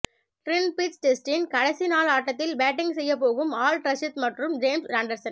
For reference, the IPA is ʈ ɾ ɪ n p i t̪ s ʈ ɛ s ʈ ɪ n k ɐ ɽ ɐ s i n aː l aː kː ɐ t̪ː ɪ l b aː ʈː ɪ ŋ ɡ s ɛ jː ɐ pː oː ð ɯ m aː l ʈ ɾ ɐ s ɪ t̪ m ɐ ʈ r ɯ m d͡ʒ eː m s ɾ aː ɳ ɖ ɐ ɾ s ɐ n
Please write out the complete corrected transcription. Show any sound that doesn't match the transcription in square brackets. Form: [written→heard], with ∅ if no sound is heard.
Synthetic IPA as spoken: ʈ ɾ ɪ n p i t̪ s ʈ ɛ s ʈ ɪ n k ɐ ɽ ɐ s i n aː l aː [kː→ʈː] ɐ t̪ː ɪ l b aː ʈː ɪ ŋ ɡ s ɛ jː ɐ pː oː [ð→ɣ] ɯ m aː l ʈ ɾ ɐ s ɪ t̪ m ɐ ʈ r ɯ m d͡ʒ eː m s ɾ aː ɳ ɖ ɐ ɾ s ɐ n